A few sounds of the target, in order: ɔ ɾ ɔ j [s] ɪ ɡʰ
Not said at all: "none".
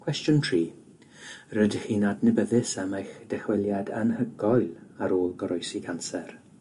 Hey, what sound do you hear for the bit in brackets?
s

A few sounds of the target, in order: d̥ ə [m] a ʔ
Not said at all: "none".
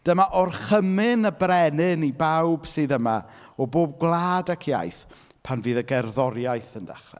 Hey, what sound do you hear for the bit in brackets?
m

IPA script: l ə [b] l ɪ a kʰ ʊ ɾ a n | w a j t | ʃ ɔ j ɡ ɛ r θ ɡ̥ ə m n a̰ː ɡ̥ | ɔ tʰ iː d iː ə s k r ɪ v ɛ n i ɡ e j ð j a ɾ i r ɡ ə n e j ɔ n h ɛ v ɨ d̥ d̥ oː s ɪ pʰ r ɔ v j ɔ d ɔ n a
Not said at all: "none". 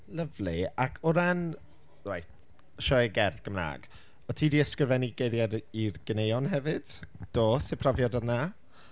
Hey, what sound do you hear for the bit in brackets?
v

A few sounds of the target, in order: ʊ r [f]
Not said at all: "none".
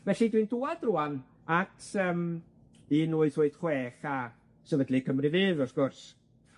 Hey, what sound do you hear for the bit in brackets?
s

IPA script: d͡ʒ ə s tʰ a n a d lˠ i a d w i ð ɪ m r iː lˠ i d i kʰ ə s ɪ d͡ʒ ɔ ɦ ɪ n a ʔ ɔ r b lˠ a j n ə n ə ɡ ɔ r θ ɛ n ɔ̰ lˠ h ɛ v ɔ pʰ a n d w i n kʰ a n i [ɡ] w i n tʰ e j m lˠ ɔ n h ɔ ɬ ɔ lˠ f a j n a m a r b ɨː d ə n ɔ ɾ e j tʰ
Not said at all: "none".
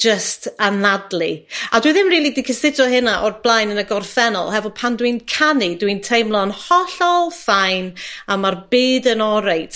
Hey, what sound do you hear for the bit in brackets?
d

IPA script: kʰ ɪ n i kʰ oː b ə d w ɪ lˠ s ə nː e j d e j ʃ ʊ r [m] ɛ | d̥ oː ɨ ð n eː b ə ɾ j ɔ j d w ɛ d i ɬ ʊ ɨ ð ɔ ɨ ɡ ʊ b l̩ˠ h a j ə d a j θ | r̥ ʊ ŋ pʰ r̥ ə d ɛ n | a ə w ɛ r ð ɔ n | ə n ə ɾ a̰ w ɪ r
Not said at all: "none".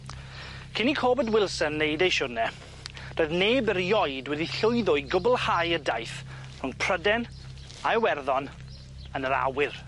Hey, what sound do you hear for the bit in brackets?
n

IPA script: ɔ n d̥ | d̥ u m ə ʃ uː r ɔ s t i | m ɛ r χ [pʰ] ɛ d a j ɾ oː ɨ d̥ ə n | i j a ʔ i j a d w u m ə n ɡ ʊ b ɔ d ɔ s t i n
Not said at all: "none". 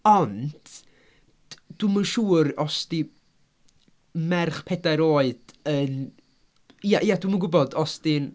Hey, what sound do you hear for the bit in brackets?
pʰ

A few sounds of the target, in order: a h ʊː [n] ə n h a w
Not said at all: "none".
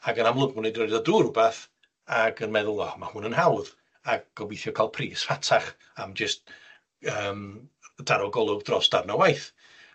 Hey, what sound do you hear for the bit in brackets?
n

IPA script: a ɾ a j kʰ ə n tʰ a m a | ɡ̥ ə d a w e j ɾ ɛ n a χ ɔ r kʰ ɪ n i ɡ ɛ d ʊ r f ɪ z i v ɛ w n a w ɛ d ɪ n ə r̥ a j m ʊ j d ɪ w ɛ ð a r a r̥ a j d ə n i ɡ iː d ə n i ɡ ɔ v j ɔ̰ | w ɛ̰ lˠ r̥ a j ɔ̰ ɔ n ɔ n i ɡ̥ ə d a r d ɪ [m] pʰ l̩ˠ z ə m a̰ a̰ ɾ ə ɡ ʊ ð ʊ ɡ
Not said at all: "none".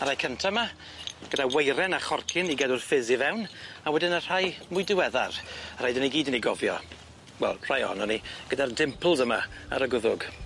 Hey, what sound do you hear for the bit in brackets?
m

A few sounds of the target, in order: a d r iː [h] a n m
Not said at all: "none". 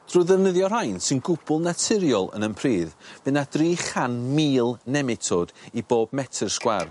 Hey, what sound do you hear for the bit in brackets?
χ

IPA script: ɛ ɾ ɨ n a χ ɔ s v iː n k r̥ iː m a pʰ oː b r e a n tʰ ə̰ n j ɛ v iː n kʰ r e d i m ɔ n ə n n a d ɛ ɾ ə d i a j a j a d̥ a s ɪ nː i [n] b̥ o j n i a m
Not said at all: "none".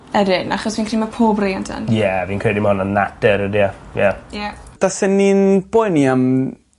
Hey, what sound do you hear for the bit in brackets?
n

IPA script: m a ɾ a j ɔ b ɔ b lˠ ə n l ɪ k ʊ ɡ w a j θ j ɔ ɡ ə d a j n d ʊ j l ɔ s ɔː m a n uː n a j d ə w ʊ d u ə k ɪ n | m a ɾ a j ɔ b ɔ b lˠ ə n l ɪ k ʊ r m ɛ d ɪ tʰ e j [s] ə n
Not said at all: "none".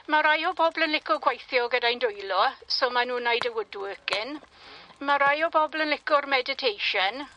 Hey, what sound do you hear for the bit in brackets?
ʃ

